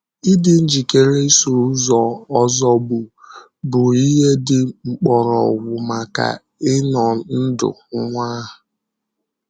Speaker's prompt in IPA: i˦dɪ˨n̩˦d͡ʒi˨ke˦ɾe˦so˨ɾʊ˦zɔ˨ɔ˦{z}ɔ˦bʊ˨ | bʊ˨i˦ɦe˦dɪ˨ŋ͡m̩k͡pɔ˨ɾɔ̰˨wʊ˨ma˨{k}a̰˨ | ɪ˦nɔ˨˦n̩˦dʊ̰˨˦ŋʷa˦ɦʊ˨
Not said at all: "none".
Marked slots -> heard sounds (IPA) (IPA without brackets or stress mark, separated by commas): z, k